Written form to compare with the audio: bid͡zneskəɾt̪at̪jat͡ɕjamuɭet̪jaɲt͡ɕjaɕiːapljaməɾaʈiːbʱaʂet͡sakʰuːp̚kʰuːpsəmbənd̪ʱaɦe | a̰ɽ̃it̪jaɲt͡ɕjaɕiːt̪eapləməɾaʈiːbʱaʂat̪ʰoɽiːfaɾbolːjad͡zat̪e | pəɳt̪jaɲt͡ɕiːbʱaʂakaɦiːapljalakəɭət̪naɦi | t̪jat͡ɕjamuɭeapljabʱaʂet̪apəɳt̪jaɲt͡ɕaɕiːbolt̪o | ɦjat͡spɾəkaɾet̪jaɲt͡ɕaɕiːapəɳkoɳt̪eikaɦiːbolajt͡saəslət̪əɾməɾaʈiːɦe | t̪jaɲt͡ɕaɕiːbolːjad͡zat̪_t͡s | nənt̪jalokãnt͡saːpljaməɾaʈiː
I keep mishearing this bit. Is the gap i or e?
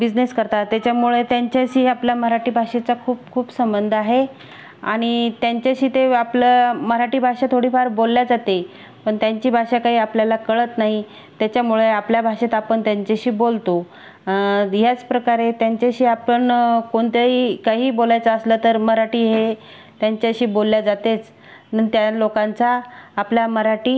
e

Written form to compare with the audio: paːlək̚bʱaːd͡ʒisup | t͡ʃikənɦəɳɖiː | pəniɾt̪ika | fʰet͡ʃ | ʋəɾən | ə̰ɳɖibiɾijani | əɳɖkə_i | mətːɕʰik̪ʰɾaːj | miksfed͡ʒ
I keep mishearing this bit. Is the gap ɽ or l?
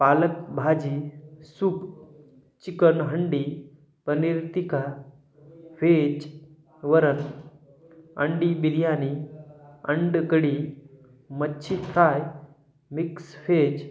ɽ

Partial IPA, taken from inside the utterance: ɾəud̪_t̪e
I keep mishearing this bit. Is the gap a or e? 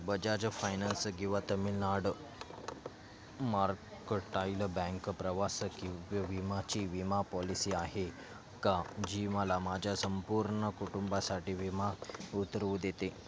e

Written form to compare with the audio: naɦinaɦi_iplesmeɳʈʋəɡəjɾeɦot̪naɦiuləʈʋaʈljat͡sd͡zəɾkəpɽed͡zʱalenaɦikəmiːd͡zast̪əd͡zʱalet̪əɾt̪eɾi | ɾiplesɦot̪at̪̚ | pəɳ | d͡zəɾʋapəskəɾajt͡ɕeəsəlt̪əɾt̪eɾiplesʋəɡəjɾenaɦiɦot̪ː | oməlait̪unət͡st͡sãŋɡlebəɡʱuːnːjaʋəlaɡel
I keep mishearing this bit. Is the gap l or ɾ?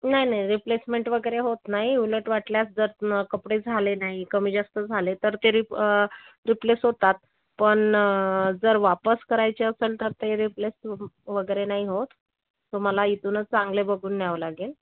ɾ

